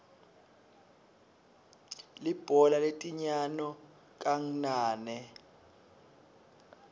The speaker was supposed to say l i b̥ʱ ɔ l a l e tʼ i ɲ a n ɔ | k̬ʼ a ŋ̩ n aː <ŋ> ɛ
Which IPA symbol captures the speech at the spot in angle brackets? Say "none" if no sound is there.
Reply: n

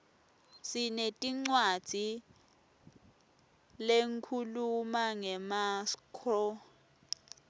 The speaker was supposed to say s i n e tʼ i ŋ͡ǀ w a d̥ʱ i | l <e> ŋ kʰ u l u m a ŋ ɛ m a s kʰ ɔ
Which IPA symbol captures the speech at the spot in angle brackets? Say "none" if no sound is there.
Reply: e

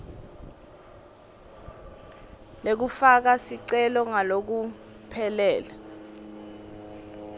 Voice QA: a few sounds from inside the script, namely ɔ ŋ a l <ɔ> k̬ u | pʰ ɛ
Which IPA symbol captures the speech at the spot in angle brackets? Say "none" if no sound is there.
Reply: o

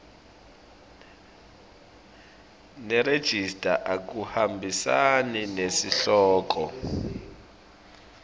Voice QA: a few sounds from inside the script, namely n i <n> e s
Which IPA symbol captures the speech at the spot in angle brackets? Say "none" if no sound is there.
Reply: n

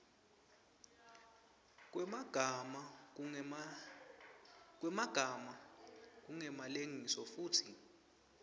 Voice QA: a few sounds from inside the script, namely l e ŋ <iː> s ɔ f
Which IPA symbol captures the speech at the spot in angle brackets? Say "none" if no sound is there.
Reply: i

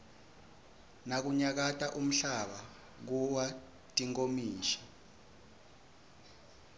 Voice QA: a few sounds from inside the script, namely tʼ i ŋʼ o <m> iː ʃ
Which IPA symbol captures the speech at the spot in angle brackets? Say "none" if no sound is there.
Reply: m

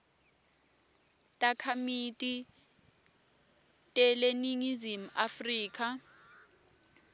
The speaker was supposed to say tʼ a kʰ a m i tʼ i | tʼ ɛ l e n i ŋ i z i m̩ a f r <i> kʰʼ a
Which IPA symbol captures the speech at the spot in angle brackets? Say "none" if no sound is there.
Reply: iː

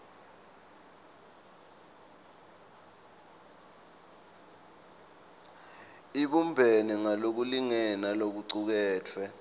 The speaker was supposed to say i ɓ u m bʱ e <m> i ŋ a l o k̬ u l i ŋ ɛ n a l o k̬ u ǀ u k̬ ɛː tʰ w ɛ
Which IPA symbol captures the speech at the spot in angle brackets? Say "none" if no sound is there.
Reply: n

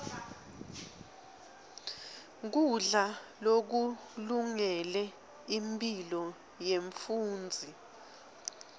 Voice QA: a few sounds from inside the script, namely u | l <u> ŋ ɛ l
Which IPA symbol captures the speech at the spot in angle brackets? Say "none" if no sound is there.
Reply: u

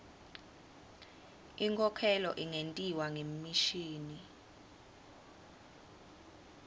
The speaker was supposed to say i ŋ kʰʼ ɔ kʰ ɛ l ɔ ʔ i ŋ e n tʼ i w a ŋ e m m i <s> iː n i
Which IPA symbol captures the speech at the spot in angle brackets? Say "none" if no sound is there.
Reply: ʃ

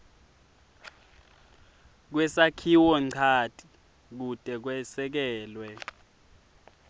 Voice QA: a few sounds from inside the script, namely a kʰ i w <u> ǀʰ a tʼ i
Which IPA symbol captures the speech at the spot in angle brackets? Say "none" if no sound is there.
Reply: ɔ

